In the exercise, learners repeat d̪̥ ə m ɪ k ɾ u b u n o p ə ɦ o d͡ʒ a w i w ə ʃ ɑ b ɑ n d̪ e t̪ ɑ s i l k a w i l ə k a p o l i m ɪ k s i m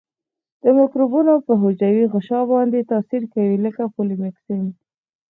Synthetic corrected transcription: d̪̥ ə m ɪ k ɾ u b u n o p ə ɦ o d͡ʒ a w i ɣ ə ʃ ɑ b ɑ n d̪ e t̪ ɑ s i ɾ k a w i l ə k a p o l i m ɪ k s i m